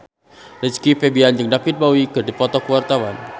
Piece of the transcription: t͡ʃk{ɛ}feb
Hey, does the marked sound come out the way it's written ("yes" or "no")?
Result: no